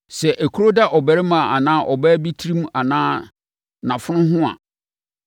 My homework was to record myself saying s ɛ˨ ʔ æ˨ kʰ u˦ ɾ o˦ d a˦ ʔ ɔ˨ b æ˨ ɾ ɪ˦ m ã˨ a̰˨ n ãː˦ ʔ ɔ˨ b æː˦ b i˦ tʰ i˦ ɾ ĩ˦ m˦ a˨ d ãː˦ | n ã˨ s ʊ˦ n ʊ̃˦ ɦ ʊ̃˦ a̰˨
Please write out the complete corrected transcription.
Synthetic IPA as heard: s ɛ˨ ʔ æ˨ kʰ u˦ ɾ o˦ d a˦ ʔ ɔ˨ b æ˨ ɾ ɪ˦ m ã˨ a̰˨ n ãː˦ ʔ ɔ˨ b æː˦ b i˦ tʰ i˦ ɾ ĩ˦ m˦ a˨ n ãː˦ | n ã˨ f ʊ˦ n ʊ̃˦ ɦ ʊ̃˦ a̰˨